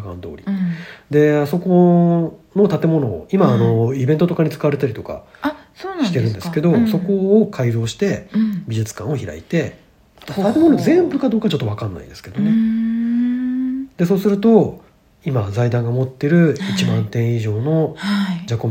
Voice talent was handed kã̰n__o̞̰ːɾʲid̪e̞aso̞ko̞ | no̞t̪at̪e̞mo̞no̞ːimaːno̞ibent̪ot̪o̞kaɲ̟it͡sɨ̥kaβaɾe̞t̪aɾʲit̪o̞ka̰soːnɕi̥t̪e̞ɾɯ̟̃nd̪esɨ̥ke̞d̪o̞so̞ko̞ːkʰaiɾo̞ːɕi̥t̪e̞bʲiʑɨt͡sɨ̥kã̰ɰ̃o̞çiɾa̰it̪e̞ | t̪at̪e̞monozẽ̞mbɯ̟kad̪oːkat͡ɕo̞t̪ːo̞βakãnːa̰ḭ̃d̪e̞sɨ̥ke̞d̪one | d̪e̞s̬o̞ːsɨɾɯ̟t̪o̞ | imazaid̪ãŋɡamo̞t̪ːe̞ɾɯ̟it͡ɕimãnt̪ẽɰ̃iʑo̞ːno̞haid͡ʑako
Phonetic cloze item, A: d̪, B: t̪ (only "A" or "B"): A